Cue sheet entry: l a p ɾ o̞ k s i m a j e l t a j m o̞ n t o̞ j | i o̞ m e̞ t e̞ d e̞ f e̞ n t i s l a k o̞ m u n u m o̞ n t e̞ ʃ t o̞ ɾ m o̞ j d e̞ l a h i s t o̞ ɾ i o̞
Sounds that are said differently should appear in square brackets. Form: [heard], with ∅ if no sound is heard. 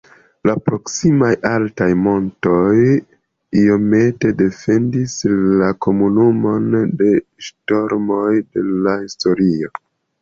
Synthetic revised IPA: l a p ɾ o̞ k s i m a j [a] l t a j m o̞ n t o̞ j | i o̞ m e̞ t e̞ d e̞ f e̞ n [d] i s l a k o̞ m u n u m o̞ n [d] e̞ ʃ t o̞ ɾ m o̞ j d e̞ l a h i s t o̞ ɾ i o̞